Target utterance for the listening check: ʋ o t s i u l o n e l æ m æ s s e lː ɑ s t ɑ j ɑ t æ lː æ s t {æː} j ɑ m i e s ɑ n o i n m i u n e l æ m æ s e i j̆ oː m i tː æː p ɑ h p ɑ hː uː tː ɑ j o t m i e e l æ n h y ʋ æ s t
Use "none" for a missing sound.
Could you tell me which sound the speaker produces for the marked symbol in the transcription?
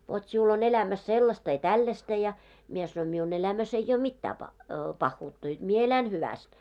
æ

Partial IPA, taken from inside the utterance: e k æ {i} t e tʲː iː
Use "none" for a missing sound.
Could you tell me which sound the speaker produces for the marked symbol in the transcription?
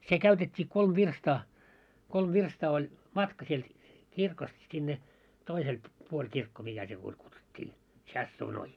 y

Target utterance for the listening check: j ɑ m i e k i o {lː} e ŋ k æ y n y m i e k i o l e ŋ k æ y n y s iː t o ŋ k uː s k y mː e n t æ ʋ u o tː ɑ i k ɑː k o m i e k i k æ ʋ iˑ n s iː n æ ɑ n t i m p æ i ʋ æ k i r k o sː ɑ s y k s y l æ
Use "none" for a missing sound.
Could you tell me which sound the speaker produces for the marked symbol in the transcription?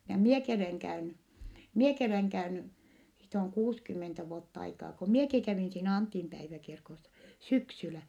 l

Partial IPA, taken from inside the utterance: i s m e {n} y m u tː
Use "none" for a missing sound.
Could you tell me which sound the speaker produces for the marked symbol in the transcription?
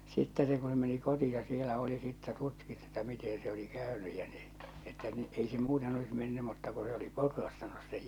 nː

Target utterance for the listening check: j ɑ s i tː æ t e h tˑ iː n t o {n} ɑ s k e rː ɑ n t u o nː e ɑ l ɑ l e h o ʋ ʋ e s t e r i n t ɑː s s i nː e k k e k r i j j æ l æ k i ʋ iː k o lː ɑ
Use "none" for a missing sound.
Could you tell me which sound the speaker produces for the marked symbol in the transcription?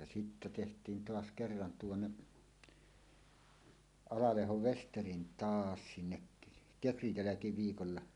none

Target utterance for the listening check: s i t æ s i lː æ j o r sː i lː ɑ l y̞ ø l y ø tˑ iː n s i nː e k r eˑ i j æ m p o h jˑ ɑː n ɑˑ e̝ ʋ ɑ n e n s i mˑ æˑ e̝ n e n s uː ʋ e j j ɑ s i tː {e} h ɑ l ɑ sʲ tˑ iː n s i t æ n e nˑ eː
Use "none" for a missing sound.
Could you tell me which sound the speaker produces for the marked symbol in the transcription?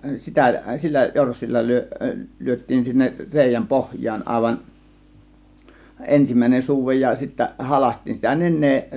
æ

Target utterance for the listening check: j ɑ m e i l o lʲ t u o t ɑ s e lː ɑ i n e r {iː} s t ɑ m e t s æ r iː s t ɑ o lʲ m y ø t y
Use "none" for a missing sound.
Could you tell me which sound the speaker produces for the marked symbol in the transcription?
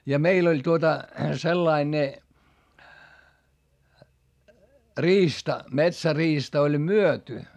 iː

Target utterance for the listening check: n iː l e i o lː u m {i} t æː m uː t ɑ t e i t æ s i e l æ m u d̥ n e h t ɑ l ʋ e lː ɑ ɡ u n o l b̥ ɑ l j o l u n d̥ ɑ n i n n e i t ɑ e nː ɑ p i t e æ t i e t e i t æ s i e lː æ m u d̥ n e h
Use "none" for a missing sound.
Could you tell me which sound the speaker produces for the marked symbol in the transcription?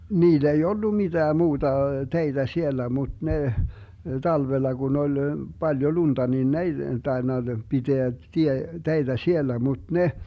i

